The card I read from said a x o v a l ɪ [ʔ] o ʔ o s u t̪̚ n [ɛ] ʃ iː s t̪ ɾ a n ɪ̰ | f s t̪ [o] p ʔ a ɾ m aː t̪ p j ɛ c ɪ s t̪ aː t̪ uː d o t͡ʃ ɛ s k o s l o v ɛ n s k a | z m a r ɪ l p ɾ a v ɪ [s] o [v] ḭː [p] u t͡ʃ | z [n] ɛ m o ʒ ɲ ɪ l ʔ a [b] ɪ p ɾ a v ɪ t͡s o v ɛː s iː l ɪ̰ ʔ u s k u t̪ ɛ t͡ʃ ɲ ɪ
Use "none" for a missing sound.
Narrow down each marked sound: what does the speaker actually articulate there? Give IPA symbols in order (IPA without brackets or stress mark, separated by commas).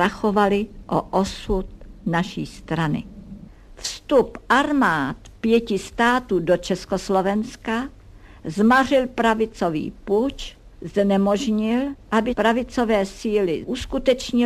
ʔ, a, u, t͡s, v, p, n, b